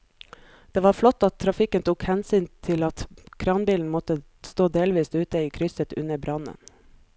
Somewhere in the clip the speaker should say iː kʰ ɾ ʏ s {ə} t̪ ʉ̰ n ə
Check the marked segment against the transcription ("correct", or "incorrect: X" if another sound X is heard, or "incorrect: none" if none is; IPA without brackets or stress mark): correct